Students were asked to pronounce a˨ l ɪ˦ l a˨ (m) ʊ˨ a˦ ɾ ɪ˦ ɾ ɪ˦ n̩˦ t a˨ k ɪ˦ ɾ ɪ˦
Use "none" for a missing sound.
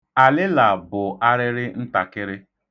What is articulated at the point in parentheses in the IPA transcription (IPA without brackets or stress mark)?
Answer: b